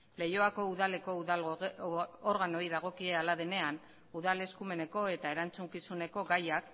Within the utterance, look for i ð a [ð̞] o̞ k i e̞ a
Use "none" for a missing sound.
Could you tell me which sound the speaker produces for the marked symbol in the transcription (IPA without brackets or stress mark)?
ɣ̞